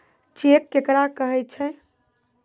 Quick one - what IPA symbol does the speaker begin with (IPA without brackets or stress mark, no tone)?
t͡ʃ